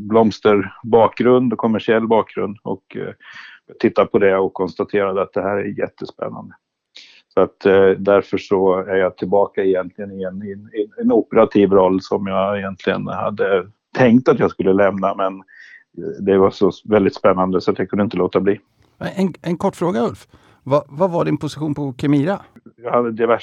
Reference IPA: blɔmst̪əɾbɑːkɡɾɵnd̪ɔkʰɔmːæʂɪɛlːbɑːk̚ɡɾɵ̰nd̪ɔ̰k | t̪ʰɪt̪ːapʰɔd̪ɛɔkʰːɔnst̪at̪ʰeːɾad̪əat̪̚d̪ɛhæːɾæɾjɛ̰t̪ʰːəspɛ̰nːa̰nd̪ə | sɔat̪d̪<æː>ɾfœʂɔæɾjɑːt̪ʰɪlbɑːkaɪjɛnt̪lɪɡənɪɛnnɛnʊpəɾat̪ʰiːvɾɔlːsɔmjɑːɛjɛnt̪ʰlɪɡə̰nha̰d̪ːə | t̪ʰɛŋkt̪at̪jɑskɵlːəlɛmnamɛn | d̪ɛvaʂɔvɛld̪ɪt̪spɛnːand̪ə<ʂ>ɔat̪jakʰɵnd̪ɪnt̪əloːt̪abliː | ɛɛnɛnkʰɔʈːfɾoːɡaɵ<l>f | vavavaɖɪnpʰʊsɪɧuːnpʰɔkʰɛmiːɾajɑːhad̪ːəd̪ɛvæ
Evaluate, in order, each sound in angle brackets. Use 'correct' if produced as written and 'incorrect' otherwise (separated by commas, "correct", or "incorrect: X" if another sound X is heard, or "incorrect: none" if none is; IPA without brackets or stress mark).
incorrect: æ, incorrect: s, correct